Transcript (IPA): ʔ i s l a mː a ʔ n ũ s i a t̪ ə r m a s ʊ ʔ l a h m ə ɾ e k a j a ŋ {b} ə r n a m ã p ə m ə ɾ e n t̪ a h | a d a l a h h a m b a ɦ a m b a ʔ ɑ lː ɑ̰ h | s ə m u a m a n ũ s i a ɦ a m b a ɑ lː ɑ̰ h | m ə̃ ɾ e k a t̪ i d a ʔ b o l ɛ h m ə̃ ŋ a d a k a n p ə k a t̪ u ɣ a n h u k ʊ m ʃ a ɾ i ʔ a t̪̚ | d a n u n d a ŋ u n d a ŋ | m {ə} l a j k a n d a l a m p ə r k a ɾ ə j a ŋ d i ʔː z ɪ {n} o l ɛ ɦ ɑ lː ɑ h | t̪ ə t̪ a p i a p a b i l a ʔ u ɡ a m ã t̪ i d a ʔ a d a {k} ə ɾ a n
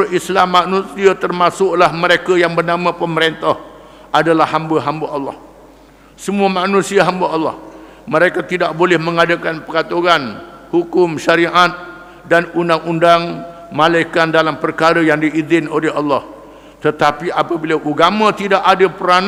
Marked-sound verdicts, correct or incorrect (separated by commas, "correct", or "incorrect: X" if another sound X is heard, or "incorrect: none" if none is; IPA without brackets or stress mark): correct, incorrect: a, correct, incorrect: p